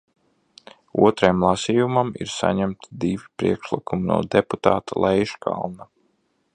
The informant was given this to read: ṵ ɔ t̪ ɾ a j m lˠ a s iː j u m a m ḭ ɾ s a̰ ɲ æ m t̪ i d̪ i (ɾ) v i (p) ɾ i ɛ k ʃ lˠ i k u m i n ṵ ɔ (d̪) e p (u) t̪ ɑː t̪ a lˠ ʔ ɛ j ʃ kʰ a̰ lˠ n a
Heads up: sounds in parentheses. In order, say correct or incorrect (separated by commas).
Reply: incorrect, correct, correct, correct